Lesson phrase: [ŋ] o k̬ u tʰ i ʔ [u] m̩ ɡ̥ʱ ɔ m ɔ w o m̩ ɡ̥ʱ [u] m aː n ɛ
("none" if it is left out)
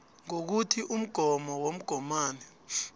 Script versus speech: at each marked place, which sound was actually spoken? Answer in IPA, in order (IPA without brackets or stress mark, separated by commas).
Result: ŋ, u, ɔ